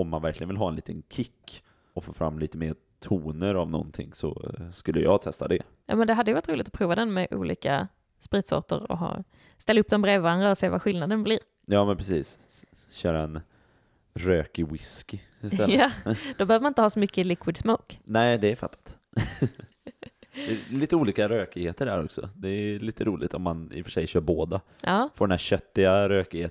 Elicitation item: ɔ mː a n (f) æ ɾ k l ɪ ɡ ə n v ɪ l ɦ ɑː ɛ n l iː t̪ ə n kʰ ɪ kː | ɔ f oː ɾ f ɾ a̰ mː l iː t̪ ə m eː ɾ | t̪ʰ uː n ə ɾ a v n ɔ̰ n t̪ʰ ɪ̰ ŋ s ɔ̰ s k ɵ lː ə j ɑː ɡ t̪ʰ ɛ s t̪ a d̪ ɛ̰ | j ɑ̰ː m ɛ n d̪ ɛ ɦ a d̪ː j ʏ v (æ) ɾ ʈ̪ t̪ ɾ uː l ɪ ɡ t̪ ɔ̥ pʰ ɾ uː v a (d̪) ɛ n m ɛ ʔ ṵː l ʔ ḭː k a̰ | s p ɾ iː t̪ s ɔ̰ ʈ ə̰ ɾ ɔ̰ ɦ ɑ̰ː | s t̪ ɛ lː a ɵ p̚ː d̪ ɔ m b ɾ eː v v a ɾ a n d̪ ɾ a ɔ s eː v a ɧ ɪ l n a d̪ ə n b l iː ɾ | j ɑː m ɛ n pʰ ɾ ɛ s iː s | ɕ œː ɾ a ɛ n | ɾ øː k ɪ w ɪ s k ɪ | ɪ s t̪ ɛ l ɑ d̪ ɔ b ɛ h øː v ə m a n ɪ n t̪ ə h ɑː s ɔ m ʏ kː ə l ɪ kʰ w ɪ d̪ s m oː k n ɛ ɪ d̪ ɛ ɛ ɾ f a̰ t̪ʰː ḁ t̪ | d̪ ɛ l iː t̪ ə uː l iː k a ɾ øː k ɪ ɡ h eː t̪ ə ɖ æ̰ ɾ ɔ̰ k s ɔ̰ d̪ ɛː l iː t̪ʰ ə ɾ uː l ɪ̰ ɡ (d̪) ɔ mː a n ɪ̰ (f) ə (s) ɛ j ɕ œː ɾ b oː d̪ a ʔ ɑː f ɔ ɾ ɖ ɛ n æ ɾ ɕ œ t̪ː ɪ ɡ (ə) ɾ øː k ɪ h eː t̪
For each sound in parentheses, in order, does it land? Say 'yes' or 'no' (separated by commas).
no, no, yes, no, yes, no, no